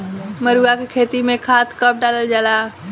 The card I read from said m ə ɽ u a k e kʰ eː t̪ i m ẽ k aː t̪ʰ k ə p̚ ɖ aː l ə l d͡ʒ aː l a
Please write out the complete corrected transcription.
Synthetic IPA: m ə ɾ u a k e kʰ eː t̪ i m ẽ kʰ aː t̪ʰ k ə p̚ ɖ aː l ə l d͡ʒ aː l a

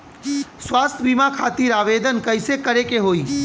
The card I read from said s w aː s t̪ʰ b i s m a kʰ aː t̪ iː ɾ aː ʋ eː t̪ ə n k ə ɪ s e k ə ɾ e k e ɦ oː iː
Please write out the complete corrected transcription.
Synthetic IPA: s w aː s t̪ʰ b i m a kʰ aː t̪ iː ɾ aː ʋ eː d̪ ə n k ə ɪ s e k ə ɾ e k e ɦ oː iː

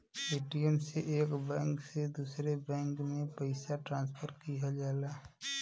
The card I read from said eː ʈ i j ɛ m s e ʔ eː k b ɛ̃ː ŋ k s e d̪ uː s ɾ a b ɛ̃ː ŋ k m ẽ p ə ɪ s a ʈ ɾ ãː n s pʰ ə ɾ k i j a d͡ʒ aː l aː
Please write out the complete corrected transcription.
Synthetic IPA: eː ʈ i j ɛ m s e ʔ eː k b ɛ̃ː ŋ k s e d̪ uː s ɾ e b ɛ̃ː ŋ k m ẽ p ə ɪ s a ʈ ɾ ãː n s pʰ ə ɾ k i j a d͡ʒ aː l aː

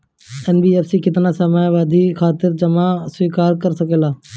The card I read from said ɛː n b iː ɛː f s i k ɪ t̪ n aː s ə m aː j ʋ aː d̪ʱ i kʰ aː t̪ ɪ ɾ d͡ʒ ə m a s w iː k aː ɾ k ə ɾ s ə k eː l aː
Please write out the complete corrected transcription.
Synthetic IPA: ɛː n b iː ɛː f s i k ɪ t̪ n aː s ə m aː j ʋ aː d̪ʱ i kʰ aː t̪ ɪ ɾ d͡ʒ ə m a s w iː k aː ɾ k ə ɾ s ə k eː l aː

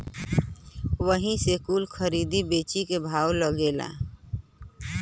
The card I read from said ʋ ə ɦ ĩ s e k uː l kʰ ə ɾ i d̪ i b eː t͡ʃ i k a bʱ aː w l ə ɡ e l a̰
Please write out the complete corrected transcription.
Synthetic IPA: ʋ ə ɦ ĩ s e k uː l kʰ ə ɾ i d̪ i b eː t͡ʃ i k e bʱ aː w l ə ɡ e l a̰

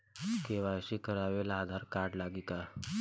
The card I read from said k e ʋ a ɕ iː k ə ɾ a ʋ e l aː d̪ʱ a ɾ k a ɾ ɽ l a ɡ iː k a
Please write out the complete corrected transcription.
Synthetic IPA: k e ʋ a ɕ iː k ə ɾ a ʋ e l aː d̪ʱ a ɾ k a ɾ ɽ l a ɡ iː k a

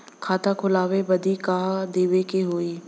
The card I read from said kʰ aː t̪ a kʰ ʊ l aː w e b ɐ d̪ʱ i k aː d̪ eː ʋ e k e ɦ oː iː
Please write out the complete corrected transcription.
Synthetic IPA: kʰ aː t̪ a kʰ ʊ l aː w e b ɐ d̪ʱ i k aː d̪ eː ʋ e k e ɦ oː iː

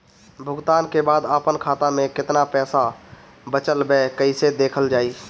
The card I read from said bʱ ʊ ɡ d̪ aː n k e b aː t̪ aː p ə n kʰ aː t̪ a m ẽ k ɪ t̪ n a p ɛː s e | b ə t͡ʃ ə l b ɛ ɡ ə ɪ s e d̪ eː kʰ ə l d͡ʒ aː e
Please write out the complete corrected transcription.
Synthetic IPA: bʱ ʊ ɡ t̪ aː n k e b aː d̪ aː p ə n kʰ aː t̪ a m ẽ k ɪ t̪ n a p ɛː s a | b ə t͡ʃ ə l b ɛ k ə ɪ s e d̪ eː kʰ ə l d͡ʒ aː i

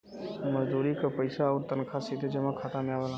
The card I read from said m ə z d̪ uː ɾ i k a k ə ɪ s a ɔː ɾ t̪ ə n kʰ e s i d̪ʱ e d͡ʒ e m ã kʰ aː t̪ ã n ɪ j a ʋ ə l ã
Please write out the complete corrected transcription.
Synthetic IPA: m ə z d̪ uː ɾ i k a p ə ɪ s a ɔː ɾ t̪ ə n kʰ a s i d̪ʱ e d͡ʒ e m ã kʰ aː t̪ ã m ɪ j a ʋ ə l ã

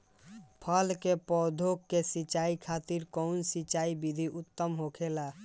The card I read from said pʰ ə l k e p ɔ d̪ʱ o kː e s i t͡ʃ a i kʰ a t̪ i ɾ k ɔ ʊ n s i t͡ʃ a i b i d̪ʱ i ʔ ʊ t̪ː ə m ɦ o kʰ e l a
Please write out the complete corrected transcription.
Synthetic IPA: pʰ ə l k e p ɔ d̪ʱ o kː e s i t͡ʃ a i kʰ a t̪ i ɾ k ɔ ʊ n s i t͡ʃ a i b i d̪ʱ i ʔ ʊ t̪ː ə m ɦ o kʰ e l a

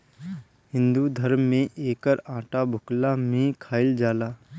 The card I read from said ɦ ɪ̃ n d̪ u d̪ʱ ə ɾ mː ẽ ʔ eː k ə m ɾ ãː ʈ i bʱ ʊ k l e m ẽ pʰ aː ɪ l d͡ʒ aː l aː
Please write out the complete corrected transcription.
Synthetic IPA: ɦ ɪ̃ n d̪ u d̪ʱ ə ɾ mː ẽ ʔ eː k ə ɾ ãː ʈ a bʱ ʊ k l a m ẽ kʰ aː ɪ l d͡ʒ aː l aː

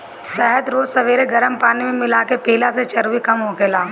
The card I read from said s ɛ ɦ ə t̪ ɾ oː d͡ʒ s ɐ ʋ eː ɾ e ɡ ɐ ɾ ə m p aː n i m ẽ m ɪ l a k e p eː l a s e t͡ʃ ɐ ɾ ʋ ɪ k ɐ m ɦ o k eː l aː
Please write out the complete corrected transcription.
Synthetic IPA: s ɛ ɦ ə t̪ ɾ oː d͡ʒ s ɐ ʋ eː ɾ e ɡ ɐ ɾ ə m p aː n i m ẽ m ɪ l a k e p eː l a s e t͡ʃ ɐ ɾ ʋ i k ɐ m ɦ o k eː l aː

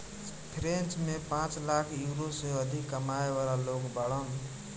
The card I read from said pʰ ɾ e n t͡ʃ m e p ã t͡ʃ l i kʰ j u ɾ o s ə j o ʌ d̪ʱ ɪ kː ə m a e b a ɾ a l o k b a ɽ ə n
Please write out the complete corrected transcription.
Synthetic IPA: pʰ ɾ e n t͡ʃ m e p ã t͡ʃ l a kʰ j u ɾ o s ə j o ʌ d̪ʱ i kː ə m a e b a l a l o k b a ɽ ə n

